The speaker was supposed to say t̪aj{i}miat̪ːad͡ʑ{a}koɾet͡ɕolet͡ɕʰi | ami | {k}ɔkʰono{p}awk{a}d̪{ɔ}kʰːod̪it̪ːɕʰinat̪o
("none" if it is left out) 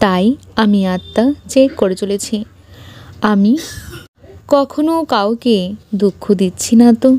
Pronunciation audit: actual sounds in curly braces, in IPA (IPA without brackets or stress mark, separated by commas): a, e, k, k, e, u